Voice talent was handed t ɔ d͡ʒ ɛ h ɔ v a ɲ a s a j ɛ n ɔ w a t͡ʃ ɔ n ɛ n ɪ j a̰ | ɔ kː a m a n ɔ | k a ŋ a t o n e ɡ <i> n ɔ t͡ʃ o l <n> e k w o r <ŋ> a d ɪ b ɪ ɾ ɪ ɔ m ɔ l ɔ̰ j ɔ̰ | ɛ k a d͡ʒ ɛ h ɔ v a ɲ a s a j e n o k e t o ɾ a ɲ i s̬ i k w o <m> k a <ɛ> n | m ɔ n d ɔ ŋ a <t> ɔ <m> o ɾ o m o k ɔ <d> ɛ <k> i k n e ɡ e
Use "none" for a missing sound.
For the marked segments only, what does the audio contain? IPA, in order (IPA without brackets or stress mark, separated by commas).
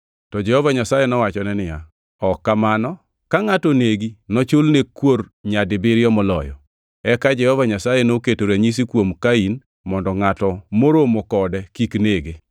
i, n, ɲ, m, i, t, m, d, k